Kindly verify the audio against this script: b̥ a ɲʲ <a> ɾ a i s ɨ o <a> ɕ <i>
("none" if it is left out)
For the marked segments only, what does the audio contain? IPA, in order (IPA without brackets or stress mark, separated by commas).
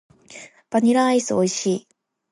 i, i, iː